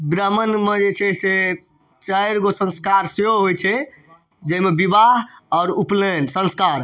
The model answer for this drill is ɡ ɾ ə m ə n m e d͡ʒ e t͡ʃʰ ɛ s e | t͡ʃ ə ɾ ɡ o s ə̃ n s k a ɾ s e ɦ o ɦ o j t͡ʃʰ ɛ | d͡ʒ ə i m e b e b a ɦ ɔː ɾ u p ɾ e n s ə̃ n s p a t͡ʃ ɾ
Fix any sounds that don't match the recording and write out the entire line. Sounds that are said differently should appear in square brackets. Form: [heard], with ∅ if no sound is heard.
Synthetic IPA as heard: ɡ ɾ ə m ə n m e d͡ʒ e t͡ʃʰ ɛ s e | t͡ʃ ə ɾ ɡ o s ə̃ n s k a ɾ s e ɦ o ɦ o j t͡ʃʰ ɛ | d͡ʒ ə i m e b [i] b a ɦ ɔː ɾ u p [l] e n s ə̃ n s [k] a [∅] ɾ